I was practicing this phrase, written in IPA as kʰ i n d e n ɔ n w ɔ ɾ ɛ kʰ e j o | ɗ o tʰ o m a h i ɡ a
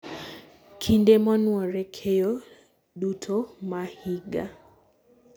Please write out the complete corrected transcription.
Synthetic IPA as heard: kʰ i n d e m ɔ n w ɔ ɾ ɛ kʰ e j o | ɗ u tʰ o m a h i ɡ a